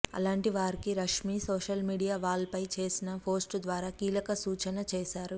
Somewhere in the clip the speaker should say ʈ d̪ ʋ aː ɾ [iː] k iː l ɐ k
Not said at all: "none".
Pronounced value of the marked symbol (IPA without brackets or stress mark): aː